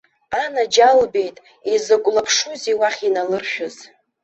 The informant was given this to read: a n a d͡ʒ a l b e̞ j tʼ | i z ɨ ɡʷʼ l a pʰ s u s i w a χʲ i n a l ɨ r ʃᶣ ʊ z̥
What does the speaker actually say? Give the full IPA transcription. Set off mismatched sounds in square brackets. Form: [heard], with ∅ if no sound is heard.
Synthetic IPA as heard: a n a d͡ʒ a l b e̞ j tʼ | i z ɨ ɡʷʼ l a pʰ [ʂ] u [z] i w a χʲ i n a l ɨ r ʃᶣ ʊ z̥